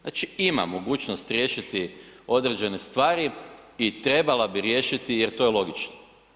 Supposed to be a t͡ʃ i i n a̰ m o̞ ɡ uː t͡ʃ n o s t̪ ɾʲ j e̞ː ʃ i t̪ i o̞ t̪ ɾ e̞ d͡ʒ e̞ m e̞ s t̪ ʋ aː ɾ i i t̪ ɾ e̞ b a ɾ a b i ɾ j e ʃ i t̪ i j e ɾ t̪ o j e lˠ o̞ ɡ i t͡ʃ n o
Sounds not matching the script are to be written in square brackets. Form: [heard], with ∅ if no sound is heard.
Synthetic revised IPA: a t͡ʃ i i [m] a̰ m o̞ ɡ uː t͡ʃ n o s t̪ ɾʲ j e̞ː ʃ i t̪ i o̞ [d̪] ɾ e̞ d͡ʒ e̞ [n] e̞ s t̪ ʋ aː ɾ i i t̪ ɾ e̞ b a [l] a b i ɾ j e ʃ i t̪ i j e ɾ t̪ o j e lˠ o̞ ɡ i t͡ʃ n o

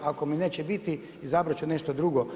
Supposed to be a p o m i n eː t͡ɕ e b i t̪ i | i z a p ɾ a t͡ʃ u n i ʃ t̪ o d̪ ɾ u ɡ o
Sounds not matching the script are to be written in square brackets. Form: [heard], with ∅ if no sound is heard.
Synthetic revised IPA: a [k] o m i n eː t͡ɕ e b i t̪ i | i z a [b] ɾ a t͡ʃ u n [e] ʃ t̪ o d̪ ɾ u ɡ o

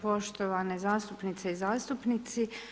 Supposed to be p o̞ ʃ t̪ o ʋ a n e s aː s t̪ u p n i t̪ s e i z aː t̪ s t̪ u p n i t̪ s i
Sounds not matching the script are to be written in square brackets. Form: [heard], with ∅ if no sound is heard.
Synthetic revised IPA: p o̞ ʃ t̪ o ʋ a n e [z] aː s t̪ u p n i t̪ s e i z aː [∅] s t̪ u p n i t̪ s i

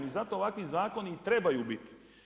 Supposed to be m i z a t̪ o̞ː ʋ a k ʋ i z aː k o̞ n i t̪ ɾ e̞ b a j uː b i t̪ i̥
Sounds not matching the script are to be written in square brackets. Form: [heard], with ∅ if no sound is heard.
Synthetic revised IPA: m i z a t̪ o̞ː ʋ a k ʋ i z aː k o̞ n i t̪ ɾ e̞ b a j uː b i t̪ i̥

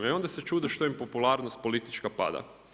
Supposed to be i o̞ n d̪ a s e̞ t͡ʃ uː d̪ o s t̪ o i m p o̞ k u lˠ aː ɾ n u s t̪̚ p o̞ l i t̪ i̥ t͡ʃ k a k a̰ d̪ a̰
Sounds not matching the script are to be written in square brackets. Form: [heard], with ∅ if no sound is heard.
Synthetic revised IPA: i o̞ n d̪ a s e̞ t͡ʃ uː d̪ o [ʃ] t̪ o i m p o̞ [p] u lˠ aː ɾ n [o] s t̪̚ p o̞ l i t̪ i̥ t͡ʃ k a [p] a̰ d̪ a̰

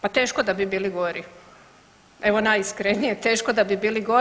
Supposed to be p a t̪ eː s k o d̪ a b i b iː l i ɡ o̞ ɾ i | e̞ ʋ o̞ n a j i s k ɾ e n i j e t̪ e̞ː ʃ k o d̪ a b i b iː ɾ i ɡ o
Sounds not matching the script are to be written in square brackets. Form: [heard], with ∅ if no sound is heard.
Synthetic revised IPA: p a t̪ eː [ʃ] k o d̪ a b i b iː l i ɡ o̞ ɾ i | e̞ ʋ o̞ n a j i s k ɾ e n i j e t̪ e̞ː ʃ k o d̪ a b i b iː [l] i ɡ o

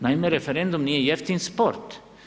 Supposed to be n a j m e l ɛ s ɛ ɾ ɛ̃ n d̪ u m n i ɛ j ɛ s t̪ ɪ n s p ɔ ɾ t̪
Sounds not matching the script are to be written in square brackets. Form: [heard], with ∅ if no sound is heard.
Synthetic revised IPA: n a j m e [ɾ] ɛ [f] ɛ ɾ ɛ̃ n d̪ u m n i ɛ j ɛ [f] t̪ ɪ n s p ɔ ɾ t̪

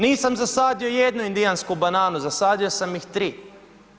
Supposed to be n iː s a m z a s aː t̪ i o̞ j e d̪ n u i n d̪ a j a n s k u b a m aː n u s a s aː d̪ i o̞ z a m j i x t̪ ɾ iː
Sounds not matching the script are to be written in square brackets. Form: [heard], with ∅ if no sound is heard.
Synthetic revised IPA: n iː s a m z a s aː [d̪] i o̞ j e d̪ n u i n d̪ [i] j a n s k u b a [n] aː n u [z] a s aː d̪ i o̞ [s] a m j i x t̪ ɾ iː

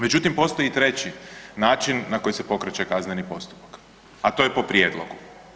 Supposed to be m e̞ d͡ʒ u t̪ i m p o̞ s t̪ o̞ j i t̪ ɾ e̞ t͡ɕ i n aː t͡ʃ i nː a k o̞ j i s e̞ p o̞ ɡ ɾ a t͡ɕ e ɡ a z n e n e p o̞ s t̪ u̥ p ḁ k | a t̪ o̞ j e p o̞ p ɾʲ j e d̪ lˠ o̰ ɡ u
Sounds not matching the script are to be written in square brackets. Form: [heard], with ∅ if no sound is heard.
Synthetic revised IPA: m e̞ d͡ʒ u t̪ i m p o̞ s t̪ o̞ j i t̪ ɾ e̞ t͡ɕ i n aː t͡ʃ i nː a k o̞ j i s e̞ p o̞ [k] ɾ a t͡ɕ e [k] a z n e n [i] p o̞ s t̪ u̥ p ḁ k | a t̪ o̞ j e p o̞ p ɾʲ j e d̪ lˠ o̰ ɡ u

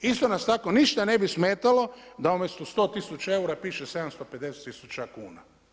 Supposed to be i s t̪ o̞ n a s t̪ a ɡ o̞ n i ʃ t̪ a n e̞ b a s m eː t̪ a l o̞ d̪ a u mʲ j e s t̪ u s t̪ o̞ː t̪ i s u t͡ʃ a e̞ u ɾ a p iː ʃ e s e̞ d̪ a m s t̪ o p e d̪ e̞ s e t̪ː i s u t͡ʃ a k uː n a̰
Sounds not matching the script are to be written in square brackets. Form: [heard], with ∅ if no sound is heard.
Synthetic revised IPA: i s t̪ o̞ n a s t̪ a [k] o̞ n i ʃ t̪ a n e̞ b [i] s m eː t̪ a l o̞ d̪ a u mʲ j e s t̪ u s t̪ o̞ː t̪ i s u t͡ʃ a e̞ u ɾ a p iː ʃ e s e̞ d̪ a m s t̪ o p e d̪ e̞ s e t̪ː i s u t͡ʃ a k uː n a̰

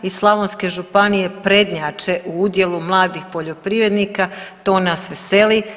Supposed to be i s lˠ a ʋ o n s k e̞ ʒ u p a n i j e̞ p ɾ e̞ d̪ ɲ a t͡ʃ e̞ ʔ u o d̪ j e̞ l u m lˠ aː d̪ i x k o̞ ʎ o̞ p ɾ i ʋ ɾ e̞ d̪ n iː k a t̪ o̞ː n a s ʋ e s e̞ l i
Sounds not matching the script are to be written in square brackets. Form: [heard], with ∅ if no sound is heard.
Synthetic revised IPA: i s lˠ a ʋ o n s k e̞ ʒ u p a n i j e̞ p ɾ e̞ d̪ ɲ a t͡ʃ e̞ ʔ u [u] d̪ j e̞ l u m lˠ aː d̪ i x [p] o̞ ʎ o̞ p ɾ i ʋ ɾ e̞ d̪ n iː k a t̪ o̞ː n a s ʋ e s e̞ l i

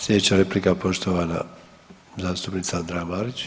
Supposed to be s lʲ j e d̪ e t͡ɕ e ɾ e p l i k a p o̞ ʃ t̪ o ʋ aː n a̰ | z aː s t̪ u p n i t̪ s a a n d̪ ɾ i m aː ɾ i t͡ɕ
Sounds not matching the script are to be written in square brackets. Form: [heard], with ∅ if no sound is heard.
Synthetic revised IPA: s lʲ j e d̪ e t͡ɕ [a] ɾ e p l i k a p o̞ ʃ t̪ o ʋ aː n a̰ | z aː s t̪ u p n i t̪ s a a n d̪ ɾ [a] m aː ɾ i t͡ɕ

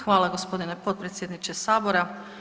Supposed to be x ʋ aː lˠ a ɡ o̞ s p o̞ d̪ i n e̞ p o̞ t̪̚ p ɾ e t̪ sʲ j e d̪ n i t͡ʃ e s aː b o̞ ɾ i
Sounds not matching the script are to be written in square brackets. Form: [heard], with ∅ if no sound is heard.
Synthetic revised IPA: x ʋ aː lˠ a ɡ o̞ s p o̞ d̪ i n e̞ p o̞ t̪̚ p ɾ e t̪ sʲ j e d̪ n i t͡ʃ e s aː b o̞ ɾ [a]

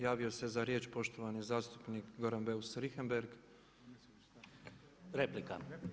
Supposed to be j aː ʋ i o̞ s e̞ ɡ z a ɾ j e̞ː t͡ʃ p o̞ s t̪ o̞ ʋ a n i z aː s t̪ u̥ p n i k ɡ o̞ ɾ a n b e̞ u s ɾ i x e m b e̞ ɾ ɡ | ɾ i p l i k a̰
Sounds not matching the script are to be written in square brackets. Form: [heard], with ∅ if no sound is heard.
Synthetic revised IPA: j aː ʋ i o̞ s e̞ [∅] z a ɾ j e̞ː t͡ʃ p o̞ [ʃ] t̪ o̞ ʋ a n i z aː s t̪ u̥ p n i k ɡ o̞ ɾ a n b e̞ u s ɾ i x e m b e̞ ɾ ɡ | ɾ [e] p l i k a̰

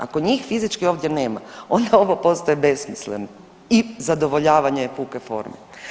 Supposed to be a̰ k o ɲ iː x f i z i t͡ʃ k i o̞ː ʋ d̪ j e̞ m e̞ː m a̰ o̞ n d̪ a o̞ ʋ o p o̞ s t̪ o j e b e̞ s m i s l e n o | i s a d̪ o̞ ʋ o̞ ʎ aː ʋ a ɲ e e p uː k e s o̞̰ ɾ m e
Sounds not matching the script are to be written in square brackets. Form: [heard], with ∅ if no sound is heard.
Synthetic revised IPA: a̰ k o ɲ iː x f i z i t͡ʃ k i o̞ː ʋ d̪ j e̞ [n] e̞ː m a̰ o̞ n d̪ a o̞ ʋ o p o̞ s t̪ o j e b e̞ s m i s l e n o | i [z] a d̪ o̞ ʋ o̞ ʎ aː ʋ a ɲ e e p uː k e [f] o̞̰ ɾ m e

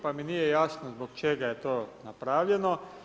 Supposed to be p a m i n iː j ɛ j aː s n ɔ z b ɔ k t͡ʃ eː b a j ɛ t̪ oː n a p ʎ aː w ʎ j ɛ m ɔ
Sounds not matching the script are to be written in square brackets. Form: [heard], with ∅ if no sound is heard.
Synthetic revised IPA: p a m i n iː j ɛ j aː s n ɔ z b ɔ k t͡ʃ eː [ɡ] a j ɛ t̪ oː n a p [ɾ] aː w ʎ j ɛ [n] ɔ

